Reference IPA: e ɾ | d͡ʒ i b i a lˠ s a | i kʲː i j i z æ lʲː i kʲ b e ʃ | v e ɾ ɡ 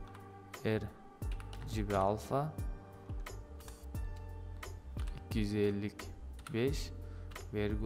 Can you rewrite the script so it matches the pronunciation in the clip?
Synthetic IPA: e ɾ | d͡ʒ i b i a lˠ f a | i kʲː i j y z e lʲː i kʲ b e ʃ | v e ɾ ɡ